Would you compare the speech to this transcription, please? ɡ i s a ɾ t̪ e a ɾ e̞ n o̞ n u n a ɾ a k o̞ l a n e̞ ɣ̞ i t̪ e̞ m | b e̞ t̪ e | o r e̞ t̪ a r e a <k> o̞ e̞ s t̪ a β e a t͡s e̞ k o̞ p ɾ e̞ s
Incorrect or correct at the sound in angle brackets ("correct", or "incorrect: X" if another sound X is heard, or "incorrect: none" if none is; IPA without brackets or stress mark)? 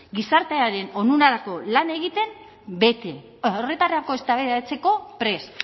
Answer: correct